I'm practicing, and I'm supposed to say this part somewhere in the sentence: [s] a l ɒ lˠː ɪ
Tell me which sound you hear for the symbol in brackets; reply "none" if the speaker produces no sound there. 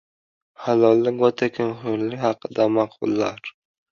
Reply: h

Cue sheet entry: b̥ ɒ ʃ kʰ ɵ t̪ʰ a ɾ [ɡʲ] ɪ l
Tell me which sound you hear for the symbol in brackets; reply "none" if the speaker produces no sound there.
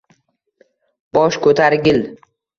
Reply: ɡʲ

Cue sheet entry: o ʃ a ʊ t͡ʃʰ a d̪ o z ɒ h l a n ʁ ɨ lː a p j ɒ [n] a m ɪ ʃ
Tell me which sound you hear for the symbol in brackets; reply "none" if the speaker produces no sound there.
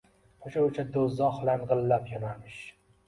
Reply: n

